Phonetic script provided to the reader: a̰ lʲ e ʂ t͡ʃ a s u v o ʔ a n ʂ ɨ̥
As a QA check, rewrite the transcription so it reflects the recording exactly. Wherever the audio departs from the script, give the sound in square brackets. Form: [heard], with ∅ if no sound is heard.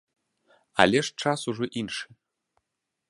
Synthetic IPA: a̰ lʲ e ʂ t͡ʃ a s u [ʐ] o ʔ [i] n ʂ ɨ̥